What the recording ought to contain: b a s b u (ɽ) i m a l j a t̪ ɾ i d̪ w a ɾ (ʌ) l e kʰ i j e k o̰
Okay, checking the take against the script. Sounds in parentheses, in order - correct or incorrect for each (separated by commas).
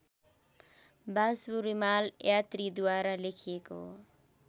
incorrect, incorrect